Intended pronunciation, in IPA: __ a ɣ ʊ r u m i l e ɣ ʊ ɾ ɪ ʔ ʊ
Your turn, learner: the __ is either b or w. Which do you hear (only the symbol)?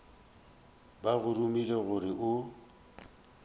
b